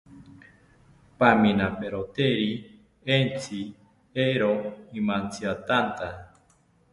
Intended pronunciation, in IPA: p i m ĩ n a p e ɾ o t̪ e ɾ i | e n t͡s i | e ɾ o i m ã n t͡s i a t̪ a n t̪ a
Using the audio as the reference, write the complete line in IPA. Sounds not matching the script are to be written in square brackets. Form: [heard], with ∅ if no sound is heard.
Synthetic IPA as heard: p [a] m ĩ n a p e ɾ o t̪ e ɾ i | e n t͡s i | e ɾ o i m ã n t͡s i a t̪ a n t̪ a